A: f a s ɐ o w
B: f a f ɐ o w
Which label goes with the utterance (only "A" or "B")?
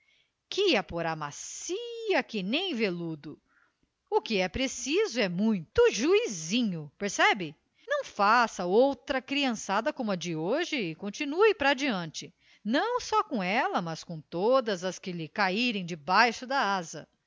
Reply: A